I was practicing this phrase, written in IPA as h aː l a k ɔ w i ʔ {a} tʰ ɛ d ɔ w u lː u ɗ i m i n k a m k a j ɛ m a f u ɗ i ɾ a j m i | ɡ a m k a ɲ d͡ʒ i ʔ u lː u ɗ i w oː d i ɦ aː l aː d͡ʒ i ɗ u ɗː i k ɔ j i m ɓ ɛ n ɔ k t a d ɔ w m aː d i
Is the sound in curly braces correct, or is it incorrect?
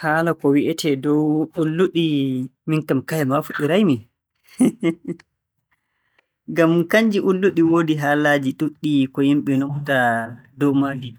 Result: incorrect